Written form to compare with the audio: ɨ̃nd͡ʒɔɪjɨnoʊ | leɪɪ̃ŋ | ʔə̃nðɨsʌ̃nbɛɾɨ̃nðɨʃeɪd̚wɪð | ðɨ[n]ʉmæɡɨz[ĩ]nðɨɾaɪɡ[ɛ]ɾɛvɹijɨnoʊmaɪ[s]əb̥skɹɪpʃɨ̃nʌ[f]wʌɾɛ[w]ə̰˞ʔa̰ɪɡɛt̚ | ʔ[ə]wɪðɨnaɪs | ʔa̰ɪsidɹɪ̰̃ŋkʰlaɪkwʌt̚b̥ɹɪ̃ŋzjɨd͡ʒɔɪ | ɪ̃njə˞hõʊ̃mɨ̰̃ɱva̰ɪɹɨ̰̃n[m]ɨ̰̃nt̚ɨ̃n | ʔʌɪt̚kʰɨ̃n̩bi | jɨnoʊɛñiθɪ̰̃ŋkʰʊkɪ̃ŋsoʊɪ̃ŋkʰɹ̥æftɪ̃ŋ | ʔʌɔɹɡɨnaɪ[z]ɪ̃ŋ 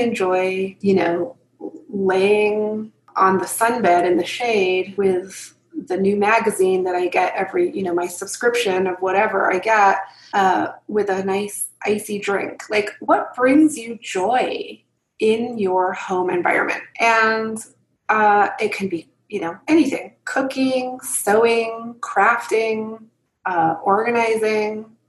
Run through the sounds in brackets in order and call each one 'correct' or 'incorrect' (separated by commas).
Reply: correct, correct, correct, correct, incorrect, incorrect, incorrect, correct, correct